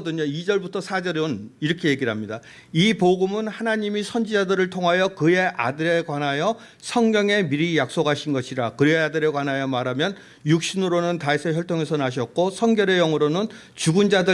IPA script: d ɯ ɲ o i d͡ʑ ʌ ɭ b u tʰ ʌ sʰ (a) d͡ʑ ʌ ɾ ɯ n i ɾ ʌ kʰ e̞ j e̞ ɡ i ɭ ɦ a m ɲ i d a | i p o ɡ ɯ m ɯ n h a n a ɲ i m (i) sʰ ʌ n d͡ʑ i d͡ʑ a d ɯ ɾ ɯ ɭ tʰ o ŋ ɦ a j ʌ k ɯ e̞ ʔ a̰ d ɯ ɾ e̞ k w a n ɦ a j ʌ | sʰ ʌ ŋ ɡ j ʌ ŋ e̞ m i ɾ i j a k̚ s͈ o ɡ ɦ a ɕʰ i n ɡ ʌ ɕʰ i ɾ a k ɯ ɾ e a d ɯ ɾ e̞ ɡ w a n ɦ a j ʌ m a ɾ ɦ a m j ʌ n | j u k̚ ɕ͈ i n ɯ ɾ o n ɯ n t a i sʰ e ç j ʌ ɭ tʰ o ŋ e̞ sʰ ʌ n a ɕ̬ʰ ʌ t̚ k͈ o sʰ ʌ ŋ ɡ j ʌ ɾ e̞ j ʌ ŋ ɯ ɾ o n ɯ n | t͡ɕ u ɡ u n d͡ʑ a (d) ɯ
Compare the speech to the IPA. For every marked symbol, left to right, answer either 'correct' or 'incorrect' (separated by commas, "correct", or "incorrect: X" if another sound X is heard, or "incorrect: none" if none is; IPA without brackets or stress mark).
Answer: correct, correct, correct